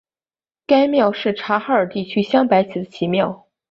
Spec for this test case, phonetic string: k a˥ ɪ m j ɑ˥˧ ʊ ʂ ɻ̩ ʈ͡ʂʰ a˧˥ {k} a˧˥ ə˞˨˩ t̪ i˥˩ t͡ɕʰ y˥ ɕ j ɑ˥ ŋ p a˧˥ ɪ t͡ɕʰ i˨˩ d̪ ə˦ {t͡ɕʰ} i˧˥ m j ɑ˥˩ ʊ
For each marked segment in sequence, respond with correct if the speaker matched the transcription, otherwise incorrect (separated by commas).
incorrect, correct